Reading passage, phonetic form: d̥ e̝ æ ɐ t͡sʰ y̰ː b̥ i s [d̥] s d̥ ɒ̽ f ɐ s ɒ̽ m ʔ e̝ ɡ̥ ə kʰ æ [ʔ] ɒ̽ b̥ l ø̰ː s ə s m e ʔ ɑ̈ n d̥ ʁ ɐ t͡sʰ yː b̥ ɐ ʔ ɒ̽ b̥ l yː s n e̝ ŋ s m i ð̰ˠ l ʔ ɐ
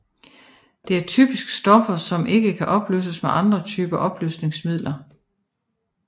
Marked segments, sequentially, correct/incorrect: incorrect: ɡ̥, correct

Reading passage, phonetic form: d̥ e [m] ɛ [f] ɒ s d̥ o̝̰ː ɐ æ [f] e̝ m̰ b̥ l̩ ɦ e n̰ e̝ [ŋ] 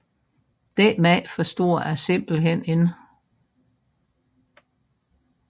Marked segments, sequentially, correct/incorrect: correct, correct, incorrect: s, incorrect: n

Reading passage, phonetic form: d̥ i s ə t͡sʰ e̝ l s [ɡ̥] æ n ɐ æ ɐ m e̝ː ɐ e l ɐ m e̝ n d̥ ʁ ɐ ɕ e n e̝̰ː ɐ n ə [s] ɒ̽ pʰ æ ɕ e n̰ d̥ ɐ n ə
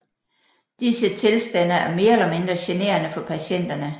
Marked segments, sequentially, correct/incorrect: incorrect: d̥, incorrect: f

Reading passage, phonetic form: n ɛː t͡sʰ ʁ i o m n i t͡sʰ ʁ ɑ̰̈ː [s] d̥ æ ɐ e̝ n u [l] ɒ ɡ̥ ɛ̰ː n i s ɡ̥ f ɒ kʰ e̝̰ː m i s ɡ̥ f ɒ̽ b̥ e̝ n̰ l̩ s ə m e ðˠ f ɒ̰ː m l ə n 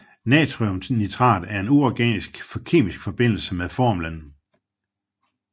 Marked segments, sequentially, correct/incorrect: incorrect: none, incorrect: none

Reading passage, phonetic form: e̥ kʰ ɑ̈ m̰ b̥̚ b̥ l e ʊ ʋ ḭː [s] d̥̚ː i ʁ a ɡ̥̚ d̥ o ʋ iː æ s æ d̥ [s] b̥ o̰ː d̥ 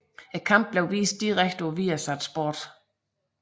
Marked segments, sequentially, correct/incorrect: correct, correct

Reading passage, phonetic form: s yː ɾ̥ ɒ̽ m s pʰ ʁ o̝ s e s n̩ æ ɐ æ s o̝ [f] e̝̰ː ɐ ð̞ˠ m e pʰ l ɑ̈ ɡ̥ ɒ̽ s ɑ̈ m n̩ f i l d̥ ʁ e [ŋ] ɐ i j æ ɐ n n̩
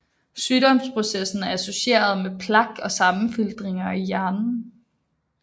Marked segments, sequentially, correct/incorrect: incorrect: ɕ, correct

